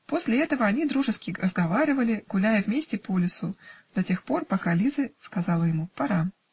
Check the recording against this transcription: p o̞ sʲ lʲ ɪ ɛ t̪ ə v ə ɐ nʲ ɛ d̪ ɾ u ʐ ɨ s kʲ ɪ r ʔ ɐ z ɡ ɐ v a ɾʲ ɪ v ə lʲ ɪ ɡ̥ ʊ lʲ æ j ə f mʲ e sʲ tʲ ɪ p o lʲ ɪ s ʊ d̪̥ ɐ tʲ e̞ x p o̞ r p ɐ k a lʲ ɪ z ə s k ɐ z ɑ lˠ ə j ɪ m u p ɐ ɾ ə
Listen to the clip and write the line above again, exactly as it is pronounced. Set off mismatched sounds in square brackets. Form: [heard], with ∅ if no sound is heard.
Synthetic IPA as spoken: p o̞ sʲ lʲ ɪ ɛ t̪ ə v ə ɐ nʲ [i] d̪ ɾ u ʐ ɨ s kʲ ɪ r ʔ [ə] z ɡ ɐ v a ɾʲ ɪ v ə lʲ ɪ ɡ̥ ʊ lʲ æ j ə [v] mʲ e sʲ tʲ ɪ p o lʲ ɪ s ʊ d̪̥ ɐ tʲ e̞ x p o̞ r p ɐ k a lʲ [i] z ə s k ɐ z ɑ lˠ ə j ɪ m u p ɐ ɾ [a]